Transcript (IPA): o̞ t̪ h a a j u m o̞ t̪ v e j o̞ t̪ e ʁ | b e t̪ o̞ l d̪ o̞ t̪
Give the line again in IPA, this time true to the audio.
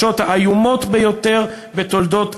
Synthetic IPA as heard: o̞ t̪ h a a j u m o̞ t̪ b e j o̞ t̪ e ʁ | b e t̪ o̞ l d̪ o̞ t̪